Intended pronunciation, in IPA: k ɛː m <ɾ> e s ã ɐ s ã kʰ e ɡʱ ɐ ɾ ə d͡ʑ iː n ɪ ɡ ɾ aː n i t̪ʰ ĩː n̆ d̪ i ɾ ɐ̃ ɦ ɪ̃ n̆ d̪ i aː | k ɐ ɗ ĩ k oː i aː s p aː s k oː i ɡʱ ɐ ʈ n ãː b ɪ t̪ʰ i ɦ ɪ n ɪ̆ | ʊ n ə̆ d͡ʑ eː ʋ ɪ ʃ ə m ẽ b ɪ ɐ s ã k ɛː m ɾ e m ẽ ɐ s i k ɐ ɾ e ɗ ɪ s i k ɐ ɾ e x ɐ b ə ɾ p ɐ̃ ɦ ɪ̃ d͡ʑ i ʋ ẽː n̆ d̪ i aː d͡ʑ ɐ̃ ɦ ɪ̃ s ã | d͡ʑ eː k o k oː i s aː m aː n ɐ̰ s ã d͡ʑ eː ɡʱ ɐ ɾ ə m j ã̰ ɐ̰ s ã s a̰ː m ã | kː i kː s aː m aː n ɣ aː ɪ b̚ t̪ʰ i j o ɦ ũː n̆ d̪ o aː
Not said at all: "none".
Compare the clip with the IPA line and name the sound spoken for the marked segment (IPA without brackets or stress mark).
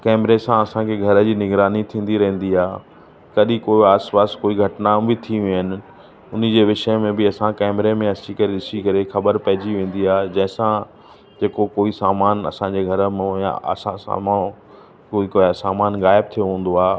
ɾ